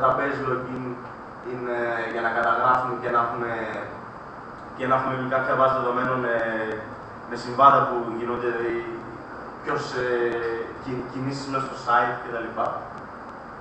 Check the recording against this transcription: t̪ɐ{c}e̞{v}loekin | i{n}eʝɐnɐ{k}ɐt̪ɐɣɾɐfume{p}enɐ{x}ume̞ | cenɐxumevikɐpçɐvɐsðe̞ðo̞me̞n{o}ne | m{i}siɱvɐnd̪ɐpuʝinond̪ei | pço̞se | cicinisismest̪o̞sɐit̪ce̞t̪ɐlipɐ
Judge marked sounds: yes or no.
no, no, yes, yes, no, yes, yes, no

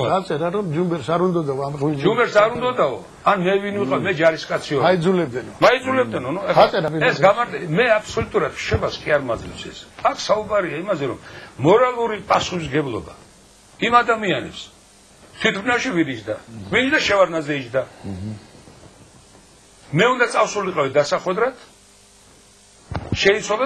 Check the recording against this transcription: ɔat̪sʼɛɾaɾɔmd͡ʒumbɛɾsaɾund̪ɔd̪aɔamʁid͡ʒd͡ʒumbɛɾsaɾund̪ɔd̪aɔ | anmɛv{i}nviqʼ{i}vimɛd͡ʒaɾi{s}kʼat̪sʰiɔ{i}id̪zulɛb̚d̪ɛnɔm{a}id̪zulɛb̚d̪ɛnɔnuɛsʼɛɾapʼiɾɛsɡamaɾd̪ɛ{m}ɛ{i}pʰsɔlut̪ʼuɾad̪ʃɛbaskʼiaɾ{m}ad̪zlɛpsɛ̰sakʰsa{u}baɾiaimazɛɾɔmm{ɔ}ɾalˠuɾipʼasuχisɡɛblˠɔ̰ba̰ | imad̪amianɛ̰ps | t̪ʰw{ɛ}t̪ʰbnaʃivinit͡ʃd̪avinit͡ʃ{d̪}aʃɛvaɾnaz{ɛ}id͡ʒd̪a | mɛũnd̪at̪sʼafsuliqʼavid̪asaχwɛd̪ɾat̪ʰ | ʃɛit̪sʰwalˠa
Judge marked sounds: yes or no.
yes, no, yes, no, yes, yes, no, yes, yes, yes, no, yes, yes

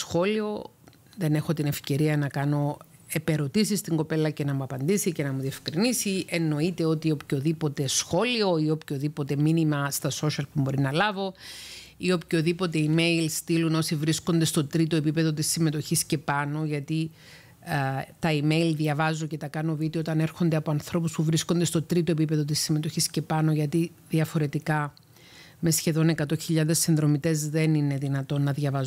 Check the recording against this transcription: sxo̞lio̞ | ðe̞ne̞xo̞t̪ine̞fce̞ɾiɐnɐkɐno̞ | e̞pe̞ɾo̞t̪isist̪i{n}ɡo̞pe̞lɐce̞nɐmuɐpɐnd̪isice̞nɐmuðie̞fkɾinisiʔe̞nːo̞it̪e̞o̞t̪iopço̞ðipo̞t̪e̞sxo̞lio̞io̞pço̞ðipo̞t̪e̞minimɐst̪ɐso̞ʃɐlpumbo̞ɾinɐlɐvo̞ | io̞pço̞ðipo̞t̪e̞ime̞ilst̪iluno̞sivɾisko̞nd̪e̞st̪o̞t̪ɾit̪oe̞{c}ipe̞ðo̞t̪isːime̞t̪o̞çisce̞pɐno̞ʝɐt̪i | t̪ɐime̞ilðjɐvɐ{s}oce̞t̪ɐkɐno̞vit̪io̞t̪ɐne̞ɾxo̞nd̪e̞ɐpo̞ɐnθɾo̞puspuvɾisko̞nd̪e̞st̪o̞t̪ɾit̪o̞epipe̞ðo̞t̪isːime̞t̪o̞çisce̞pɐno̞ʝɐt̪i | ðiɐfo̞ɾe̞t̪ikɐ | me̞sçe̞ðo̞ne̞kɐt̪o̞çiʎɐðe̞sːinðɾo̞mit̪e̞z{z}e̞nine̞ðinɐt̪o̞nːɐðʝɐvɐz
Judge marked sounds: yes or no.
no, no, no, no

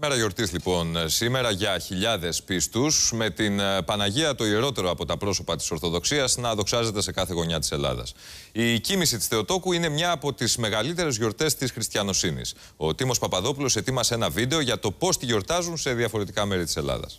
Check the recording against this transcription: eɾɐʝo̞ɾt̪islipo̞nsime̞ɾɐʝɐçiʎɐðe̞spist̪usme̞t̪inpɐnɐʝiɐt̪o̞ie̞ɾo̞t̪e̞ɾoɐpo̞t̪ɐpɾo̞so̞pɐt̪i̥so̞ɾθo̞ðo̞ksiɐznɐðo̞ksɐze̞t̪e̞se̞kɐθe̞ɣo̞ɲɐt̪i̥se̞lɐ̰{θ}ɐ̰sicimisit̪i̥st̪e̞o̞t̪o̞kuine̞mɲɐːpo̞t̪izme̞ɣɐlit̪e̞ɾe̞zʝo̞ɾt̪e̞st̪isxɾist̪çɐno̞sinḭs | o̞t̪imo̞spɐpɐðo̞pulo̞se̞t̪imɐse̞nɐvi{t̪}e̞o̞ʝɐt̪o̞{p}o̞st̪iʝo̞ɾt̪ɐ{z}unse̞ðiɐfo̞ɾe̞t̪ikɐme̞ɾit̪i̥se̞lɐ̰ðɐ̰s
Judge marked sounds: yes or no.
no, no, yes, yes

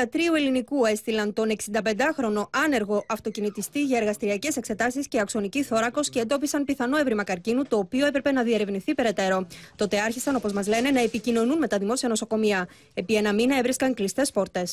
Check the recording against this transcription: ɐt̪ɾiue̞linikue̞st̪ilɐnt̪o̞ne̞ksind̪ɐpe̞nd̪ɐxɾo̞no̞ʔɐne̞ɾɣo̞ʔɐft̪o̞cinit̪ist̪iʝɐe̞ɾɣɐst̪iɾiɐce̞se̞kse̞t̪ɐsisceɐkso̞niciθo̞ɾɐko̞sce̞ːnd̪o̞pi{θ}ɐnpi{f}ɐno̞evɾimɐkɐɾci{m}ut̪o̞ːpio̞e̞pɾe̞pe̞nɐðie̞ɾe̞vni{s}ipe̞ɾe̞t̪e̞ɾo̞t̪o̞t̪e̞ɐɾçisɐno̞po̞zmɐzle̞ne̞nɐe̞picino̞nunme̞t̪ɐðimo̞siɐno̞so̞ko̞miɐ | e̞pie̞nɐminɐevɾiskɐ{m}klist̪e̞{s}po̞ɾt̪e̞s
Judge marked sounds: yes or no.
no, no, no, no, no, yes

